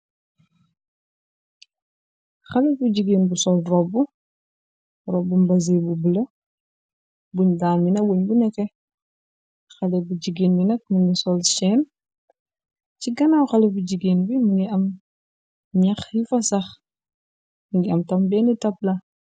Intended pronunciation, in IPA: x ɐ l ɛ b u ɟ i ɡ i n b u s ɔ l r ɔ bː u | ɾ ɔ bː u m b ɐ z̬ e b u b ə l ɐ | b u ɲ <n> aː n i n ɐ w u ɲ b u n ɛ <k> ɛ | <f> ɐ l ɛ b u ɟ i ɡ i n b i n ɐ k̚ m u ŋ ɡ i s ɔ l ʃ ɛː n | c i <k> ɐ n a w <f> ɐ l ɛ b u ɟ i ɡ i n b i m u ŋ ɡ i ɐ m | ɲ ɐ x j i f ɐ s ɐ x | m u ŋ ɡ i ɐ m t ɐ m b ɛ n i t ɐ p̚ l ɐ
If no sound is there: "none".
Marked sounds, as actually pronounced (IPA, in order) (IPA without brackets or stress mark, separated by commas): d, k, x, ɡ, x